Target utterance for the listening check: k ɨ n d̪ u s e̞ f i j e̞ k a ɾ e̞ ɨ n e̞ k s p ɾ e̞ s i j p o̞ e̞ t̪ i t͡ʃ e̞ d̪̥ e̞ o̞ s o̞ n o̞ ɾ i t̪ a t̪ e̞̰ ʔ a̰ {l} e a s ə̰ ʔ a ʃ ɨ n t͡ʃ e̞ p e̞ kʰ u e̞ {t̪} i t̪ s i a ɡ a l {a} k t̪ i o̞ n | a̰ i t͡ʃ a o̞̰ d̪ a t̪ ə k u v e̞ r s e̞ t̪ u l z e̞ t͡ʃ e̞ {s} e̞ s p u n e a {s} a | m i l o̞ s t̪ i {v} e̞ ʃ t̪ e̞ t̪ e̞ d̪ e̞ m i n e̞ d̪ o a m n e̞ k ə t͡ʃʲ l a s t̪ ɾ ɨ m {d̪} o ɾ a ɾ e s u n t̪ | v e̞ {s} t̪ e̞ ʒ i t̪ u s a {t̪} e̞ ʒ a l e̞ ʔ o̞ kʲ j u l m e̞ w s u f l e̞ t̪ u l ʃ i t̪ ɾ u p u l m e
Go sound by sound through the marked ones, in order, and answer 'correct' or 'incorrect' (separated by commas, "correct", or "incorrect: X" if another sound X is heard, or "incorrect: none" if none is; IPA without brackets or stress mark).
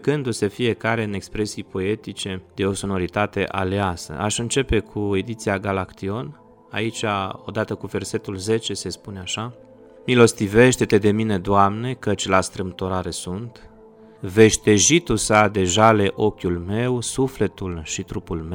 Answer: correct, incorrect: d̪, correct, correct, incorrect: ʃ, correct, incorrect: t̪, incorrect: ʃ, incorrect: d̪